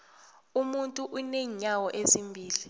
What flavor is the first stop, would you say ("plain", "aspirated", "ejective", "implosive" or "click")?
ejective